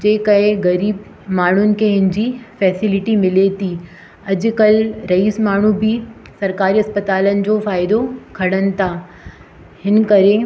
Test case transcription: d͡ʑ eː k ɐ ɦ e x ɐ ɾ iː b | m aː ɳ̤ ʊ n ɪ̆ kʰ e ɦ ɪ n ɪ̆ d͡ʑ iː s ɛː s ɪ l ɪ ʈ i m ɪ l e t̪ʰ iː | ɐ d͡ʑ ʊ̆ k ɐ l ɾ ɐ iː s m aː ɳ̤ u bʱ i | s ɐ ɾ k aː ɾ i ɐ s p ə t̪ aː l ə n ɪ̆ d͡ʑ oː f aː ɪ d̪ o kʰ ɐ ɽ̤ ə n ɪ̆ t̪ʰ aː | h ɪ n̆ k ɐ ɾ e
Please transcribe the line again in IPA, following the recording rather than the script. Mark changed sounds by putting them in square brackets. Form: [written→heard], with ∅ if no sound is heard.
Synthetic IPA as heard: d͡ʑ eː k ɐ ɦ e [x→ɣ] ɐ ɾ iː b | m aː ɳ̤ ʊ n ɪ̆ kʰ e ɦ ɪ n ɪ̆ d͡ʑ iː [s→f] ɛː s ɪ l ɪ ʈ i m ɪ l e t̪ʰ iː | ɐ d͡ʑ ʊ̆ k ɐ l ɾ ɐ iː s m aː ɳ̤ u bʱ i | s ɐ ɾ k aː ɾ i ɐ s p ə t̪ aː l ə n ɪ̆ d͡ʑ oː f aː ɪ d̪ o kʰ ɐ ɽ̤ ə n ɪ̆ t̪ʰ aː | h ɪ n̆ k ɐ ɾ e